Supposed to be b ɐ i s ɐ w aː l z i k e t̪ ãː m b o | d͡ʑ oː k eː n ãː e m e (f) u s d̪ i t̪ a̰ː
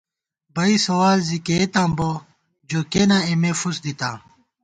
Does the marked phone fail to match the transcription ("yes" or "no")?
no